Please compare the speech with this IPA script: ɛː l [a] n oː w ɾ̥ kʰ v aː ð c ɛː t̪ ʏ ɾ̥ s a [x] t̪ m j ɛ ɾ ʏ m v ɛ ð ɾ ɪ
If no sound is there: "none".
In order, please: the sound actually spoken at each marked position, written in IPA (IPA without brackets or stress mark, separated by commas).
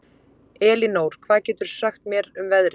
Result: i, x